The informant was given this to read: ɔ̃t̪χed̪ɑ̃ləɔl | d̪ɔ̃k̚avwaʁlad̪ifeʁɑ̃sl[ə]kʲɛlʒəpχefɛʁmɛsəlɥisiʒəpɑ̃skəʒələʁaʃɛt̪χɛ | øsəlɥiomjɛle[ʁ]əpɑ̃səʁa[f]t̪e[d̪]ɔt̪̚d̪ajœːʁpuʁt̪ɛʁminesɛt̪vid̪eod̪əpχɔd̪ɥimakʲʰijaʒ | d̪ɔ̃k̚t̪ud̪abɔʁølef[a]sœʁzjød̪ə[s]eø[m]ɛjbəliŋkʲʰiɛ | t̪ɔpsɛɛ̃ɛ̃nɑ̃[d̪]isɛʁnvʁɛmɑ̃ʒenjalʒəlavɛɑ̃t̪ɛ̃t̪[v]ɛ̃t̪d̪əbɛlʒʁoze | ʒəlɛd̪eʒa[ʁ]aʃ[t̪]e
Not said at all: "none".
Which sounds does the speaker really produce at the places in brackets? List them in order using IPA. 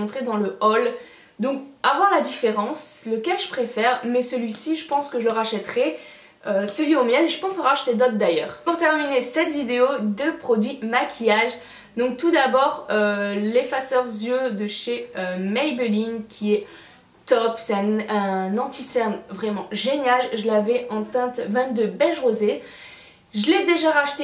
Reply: ə, ʒ, ʃ, d̪, a, ʃ, m, t̪, v, ʁ, t̪

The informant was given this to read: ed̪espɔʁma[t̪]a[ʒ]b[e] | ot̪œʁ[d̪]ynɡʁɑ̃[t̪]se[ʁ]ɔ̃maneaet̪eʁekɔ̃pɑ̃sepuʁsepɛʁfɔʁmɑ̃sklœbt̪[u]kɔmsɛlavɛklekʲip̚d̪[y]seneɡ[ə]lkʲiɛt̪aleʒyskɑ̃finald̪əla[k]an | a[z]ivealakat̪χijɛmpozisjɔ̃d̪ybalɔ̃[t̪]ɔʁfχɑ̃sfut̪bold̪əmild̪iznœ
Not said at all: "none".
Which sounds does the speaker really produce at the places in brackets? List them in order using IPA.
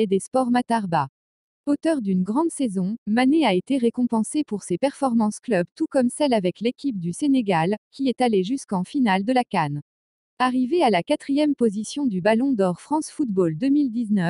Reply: t̪, ʁ, a, d̪, d̪, z, u, y, a, k, ʁ, d̪

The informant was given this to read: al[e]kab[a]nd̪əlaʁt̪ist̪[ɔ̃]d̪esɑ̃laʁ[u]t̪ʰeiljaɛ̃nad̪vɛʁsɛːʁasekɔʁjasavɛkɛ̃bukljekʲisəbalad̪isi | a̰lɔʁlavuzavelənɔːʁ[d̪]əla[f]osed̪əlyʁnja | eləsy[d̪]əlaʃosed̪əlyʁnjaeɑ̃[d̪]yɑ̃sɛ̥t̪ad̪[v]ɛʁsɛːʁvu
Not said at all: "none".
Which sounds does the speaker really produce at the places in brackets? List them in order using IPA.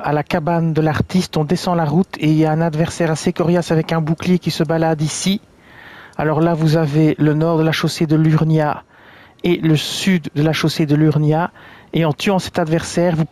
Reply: a, a, ɔ̃, u, d̪, ʃ, d̪ː, t̪, v

